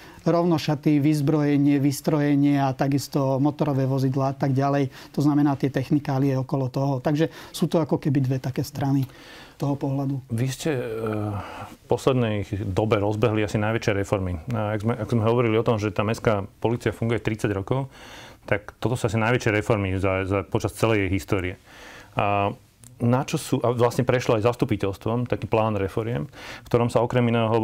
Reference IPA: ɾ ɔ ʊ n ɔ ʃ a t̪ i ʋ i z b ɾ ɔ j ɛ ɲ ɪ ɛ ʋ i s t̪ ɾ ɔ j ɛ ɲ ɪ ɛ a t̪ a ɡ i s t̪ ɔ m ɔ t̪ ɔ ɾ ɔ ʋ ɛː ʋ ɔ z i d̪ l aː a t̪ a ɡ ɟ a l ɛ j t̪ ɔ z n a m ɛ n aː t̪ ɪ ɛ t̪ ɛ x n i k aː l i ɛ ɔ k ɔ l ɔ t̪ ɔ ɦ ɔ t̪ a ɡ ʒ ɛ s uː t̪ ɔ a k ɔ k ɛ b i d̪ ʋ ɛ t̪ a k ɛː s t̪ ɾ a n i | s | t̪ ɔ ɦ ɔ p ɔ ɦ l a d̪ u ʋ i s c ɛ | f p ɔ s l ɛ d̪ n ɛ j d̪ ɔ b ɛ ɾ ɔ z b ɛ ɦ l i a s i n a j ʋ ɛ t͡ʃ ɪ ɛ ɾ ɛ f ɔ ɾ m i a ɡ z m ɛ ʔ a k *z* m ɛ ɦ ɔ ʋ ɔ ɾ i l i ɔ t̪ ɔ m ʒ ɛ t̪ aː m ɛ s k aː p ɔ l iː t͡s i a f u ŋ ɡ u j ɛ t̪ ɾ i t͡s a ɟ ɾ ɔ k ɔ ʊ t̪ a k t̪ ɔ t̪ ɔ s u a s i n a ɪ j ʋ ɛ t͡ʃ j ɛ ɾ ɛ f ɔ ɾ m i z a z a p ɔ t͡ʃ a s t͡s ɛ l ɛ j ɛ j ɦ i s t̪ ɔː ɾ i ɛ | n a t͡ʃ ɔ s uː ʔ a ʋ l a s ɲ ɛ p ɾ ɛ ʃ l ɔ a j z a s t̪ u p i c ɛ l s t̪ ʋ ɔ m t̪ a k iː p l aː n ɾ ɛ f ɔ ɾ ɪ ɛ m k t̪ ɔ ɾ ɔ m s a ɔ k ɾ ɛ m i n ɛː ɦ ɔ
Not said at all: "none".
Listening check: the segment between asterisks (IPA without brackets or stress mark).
z